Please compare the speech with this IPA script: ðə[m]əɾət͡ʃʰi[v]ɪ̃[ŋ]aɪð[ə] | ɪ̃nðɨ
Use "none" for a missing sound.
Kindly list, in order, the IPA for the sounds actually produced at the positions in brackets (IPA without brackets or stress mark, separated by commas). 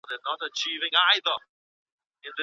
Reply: n, v, ŋ, ə